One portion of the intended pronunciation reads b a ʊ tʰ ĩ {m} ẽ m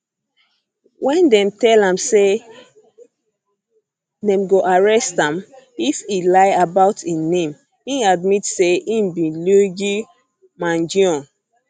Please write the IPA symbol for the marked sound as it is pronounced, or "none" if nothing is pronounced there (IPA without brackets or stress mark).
n